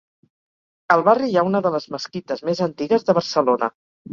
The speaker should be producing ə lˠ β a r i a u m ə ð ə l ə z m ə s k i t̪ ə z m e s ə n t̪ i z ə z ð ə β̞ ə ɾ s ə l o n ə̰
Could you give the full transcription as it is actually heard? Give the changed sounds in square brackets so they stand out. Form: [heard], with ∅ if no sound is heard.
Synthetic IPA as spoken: ə lˠ β a r i a u [n] ə ð ə l ə z m ə s k i t̪ ə z m e [z] ə n t̪ i [ɣ] ə z ð ə β̞ ə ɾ s ə l o n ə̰